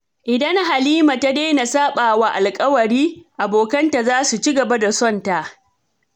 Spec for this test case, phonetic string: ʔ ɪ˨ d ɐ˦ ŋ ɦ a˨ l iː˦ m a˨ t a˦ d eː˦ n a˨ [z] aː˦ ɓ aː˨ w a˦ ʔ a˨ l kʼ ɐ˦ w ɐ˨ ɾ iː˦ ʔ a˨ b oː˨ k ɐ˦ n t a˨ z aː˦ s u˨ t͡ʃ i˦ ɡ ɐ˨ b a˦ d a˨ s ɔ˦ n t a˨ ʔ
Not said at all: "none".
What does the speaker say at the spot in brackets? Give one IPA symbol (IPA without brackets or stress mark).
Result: s